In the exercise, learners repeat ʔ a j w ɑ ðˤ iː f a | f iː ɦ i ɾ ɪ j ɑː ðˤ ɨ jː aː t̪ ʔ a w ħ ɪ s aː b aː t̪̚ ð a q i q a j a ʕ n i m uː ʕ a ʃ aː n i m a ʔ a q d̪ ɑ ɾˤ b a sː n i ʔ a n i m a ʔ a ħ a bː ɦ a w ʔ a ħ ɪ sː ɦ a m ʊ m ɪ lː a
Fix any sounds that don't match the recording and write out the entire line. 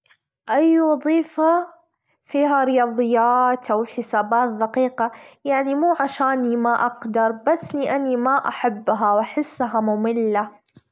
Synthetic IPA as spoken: ʔ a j w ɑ ðˤ iː f a | f iː ɦ a ɾ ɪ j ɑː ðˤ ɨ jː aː t̪ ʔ a w ħ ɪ s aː b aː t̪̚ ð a q iː q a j a ʕ n i m uː ʕ a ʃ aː n i m a ʔ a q d̪ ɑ ɾˤ b a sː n i ʔ a n i m a ʔ a ħ a bː ɦ a w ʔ a ħ ɪ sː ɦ a m ʊ m ɪ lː a